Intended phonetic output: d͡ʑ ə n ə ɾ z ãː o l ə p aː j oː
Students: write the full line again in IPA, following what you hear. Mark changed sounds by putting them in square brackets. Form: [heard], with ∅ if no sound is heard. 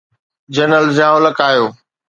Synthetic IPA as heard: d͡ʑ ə n ə [l] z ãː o l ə [k] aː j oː